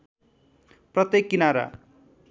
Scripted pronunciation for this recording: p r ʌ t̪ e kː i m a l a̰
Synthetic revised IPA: p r ʌ t̪ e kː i n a ɾ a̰